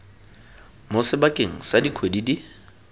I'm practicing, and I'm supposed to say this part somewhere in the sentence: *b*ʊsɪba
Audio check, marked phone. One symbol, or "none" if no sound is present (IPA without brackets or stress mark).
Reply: m